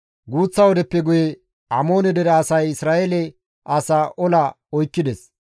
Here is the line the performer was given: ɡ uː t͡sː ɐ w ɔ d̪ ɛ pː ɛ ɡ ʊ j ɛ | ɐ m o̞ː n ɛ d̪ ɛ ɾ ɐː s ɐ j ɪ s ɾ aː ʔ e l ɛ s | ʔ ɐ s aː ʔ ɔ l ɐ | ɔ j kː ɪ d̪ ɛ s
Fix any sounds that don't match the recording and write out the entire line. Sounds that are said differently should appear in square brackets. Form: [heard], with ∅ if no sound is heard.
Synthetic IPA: ɡ uː t͡sː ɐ w ɔ d̪ ɛ pː ɛ ɡ ʊ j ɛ | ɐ m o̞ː n ɛ d̪ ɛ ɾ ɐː s ɐ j ɪ s ɾ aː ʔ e l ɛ [∅] | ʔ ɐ s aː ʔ ɔ l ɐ | ɔ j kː ɪ d̪ ɛ s